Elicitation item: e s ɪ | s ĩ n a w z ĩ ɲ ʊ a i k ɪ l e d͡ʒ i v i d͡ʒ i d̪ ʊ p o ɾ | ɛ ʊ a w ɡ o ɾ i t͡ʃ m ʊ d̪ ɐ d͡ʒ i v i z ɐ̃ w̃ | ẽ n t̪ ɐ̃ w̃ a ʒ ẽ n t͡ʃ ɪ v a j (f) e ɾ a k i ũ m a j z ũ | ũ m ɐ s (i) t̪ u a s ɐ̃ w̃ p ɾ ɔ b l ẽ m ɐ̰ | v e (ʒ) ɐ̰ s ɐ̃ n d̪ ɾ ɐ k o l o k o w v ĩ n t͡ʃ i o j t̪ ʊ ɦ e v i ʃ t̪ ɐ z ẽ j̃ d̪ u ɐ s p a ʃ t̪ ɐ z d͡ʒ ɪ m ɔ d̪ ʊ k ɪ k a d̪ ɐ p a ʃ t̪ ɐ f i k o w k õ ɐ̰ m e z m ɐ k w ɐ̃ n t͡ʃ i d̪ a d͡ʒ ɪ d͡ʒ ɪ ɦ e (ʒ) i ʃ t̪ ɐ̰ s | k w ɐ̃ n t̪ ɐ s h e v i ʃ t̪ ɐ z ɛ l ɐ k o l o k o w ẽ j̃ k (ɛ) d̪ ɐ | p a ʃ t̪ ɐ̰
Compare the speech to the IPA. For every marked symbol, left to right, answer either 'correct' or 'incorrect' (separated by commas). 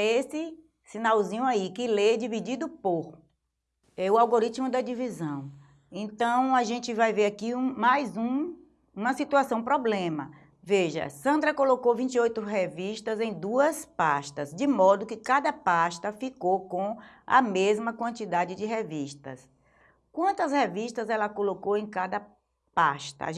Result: incorrect, correct, correct, incorrect, incorrect